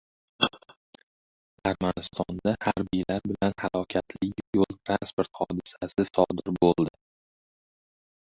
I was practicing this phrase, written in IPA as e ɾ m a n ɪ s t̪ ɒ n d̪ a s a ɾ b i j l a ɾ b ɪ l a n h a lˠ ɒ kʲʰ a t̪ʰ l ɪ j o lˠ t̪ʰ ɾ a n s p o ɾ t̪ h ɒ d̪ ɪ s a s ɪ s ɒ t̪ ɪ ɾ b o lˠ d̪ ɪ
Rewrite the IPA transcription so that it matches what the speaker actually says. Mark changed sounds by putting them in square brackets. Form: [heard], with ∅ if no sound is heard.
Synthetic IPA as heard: [a] ɾ m a n ɪ s t̪ ɒ n d̪ a [h] a ɾ b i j l a ɾ b ɪ l a n h a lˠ ɒ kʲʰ a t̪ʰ l ɪ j o lˠ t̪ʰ ɾ a n s p o ɾ t̪ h ɒ d̪ ɪ s a s ɪ s ɒ [d̪] ɪ ɾ b o lˠ d̪ ɪ

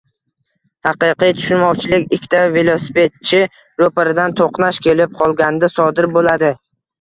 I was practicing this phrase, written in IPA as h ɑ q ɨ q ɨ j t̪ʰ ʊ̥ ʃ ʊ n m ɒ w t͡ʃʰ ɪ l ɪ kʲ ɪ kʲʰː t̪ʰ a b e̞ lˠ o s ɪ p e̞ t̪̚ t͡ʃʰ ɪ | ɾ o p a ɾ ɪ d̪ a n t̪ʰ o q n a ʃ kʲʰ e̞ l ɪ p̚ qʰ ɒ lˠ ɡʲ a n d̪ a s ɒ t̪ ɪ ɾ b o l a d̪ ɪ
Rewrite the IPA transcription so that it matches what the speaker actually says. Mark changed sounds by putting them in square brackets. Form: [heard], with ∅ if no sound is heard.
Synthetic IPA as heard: h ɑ q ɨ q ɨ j t̪ʰ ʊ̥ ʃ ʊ n m ɒ w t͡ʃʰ ɪ l ɪ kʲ ɪ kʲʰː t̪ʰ a [v] e̞ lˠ o s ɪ p e̞ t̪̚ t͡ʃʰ ɪ | ɾ o p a ɾ ɪ d̪ a n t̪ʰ o q n a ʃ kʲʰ e̞ l ɪ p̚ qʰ ɒ lˠ ɡʲ a n d̪ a s ɒ [d̪] ɪ ɾ b o l a d̪ ɪ

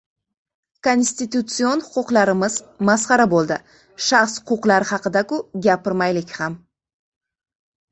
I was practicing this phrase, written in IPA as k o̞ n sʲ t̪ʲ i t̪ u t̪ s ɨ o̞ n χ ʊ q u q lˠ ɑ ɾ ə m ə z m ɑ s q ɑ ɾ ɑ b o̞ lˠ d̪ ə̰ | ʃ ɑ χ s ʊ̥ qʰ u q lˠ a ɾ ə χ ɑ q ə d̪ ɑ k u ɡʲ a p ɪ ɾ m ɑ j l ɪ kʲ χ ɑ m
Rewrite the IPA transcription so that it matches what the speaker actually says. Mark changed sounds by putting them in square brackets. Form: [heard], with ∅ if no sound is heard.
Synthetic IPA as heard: k o̞ n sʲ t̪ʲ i t̪ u t̪ s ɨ o̞ n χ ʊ q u q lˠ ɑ ɾ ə m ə z m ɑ s q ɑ ɾ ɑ b o̞ lˠ d̪ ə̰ | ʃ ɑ χ s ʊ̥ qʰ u q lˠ [ɑ] ɾ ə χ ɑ q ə d̪ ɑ k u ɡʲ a p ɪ ɾ m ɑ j l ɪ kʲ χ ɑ m

